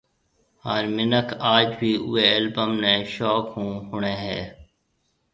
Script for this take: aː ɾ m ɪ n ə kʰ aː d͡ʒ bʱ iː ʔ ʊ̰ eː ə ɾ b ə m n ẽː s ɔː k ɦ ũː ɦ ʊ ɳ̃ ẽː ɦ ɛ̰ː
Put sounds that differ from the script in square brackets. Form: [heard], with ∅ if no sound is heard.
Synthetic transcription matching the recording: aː ɾ m ɪ n ə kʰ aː d͡ʒ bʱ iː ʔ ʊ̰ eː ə [l] b ə m n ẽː [ʃ] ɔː k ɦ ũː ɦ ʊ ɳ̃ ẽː ɦ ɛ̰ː